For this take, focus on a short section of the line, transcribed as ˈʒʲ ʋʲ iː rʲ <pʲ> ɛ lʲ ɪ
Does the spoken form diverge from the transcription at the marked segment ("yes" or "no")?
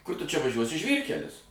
yes